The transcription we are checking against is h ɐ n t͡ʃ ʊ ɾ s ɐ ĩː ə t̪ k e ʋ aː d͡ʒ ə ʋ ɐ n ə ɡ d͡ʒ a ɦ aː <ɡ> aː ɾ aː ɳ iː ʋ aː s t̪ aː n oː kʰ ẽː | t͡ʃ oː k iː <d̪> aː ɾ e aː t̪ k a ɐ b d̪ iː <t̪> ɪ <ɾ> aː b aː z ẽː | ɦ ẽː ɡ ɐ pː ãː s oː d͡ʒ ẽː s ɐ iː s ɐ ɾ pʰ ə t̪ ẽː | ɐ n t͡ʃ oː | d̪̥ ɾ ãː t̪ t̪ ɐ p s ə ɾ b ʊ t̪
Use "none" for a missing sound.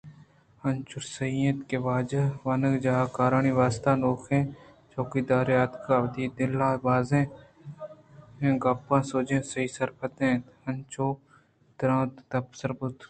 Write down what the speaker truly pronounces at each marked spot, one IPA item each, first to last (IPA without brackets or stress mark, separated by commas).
k, d̪, d̪, l